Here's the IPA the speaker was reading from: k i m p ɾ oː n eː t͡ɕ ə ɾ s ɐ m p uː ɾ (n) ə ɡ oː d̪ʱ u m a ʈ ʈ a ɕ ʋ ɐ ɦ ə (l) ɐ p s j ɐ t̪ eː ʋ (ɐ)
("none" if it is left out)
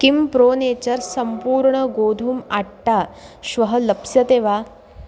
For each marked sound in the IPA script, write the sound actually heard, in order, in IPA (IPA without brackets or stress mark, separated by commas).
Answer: ɳ, l, a